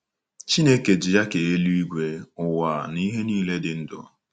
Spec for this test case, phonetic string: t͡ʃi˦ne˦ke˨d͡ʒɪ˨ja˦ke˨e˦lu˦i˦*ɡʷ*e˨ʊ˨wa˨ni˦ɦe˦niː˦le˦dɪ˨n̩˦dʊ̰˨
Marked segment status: correct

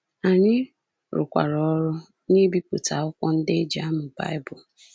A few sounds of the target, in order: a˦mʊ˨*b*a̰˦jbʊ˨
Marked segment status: correct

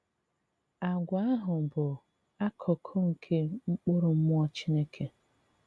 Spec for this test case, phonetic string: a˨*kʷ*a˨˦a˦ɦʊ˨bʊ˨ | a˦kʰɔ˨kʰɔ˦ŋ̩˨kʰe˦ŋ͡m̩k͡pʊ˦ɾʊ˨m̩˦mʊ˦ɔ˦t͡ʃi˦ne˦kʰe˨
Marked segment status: incorrect: ɡʷ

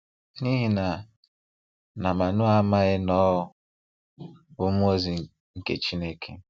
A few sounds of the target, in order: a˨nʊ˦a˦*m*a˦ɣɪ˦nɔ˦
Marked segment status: correct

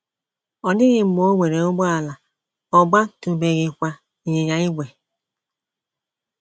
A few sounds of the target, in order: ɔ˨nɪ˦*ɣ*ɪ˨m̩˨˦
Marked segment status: correct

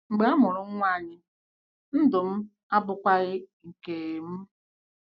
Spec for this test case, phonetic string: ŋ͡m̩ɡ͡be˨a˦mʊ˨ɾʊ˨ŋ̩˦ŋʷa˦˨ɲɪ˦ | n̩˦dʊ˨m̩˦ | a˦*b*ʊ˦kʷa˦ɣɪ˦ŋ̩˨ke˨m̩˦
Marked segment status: correct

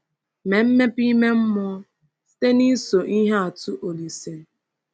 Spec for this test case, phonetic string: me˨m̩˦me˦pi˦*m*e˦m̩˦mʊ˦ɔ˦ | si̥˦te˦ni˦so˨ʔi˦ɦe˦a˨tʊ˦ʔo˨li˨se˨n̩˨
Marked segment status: correct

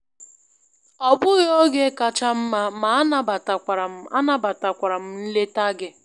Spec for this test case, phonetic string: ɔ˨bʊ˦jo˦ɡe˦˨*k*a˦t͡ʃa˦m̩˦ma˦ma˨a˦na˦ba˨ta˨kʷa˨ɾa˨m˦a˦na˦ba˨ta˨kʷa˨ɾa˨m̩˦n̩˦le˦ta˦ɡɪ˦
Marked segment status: correct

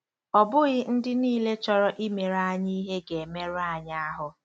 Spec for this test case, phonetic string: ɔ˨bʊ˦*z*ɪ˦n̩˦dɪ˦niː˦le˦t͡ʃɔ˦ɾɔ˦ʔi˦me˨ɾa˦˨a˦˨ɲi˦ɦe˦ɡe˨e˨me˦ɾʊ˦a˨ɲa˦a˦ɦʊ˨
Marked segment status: incorrect: ɣ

